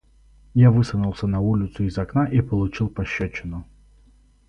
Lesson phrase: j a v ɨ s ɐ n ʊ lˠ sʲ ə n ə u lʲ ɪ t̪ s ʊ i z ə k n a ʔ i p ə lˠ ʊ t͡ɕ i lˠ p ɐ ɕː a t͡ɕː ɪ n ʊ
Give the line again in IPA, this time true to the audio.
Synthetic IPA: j a v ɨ s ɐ n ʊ lˠ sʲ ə n ɐ u lʲ ɪ t̪ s ʊ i z ɐ k n a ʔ i p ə lˠ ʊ t͡ɕ i lˠ p ɐ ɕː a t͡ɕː ɪ n ʊ